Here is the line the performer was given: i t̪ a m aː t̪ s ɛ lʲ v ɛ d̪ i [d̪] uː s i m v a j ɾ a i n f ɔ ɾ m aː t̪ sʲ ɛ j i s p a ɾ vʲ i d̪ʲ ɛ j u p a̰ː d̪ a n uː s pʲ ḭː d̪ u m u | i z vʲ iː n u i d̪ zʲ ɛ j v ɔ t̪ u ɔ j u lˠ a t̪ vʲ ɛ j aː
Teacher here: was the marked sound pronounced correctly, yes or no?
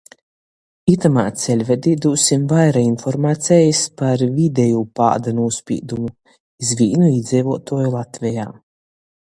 yes